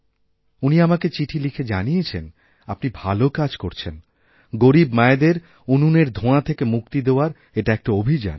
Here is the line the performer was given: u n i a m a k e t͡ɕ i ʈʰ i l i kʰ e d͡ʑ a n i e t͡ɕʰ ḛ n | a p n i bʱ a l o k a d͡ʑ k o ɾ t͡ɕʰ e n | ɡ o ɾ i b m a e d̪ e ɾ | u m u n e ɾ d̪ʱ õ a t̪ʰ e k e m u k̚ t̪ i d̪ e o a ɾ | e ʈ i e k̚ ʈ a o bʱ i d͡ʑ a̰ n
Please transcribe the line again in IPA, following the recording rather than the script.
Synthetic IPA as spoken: u n i a m a k e t͡ɕ i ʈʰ i l i kʰ e d͡ʑ a n i e t͡ɕʰ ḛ n | a p n i bʱ a l o k a d͡ʑ k o ɾ t͡ɕʰ e n | ɡ o ɾ i b m a e d̪ e ɾ | u n u n e ɾ d̪ʱ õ a t̪ʰ e k e m u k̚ t̪ i d̪ e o a ɾ | e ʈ a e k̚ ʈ a o bʱ i d͡ʑ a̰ n